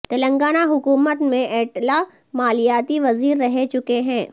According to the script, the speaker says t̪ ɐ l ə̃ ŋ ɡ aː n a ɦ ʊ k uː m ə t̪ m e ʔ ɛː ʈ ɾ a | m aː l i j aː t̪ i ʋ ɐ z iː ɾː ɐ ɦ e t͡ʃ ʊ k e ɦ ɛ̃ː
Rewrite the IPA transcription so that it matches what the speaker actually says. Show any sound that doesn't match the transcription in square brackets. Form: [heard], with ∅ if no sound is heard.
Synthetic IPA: t̪ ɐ l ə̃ ŋ ɡ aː n a ɦ ʊ k uː m ə t̪ m [ẽ] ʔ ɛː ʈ [l] a | m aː l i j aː t̪ i ʋ ɐ z iː ɾː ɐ ɦ e t͡ʃ ʊ k e ɦ ɛ̃ː